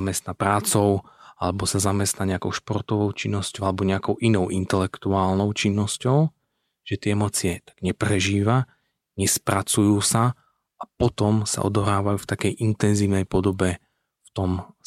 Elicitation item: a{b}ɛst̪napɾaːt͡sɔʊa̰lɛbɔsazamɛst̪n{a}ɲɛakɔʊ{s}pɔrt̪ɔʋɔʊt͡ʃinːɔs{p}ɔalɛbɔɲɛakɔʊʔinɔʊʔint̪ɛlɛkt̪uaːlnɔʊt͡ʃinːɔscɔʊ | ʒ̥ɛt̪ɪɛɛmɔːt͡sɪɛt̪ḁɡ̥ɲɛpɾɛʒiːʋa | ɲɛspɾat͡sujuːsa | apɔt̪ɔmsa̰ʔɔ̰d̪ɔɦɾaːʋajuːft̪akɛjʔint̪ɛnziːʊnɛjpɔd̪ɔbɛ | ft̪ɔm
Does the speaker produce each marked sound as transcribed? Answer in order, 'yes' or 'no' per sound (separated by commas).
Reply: no, yes, no, no